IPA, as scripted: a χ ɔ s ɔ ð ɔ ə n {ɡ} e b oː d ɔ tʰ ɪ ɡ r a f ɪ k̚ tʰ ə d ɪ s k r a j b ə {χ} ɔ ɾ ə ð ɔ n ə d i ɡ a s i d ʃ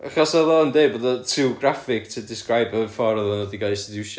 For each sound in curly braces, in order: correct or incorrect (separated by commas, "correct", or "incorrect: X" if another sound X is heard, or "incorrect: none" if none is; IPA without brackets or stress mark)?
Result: incorrect: d, incorrect: f